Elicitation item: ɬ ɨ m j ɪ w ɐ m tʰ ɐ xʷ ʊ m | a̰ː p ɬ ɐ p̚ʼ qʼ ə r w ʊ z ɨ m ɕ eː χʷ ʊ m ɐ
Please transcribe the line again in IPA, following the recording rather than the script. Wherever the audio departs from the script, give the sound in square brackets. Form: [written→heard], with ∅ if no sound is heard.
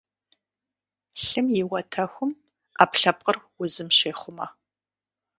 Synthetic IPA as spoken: ɬ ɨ m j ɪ w ɐ [m→∅] tʰ ɐ xʷ ʊ m | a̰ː p ɬ ɐ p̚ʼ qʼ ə r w ʊ z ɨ m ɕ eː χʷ ʊ m ɐ